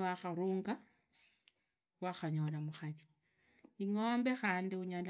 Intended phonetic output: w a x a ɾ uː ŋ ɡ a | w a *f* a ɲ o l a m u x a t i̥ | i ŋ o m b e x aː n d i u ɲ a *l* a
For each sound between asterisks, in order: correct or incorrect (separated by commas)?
incorrect, correct